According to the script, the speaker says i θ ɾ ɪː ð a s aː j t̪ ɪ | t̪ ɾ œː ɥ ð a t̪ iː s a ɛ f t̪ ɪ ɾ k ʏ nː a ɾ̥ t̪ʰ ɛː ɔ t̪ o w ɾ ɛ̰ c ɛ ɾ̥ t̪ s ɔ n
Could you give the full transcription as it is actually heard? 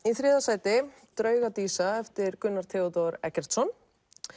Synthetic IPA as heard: i θ ɾ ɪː ð a s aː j t̪ ɪ | t̪ ɾ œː ɥ ɣ a t̪ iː s a ɛ f t̪ ɪ ɾ k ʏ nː a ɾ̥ t̪ʰ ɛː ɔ t̪ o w ɾ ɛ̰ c ɛ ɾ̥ t̪ s ɔ n